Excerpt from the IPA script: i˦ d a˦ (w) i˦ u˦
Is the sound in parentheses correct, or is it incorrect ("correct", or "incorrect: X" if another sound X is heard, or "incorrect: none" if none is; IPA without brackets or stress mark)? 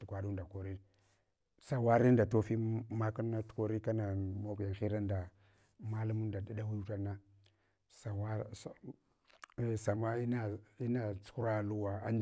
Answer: correct